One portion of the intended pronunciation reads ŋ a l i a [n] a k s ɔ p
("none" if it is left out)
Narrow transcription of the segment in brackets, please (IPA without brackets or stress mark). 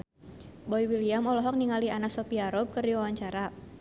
n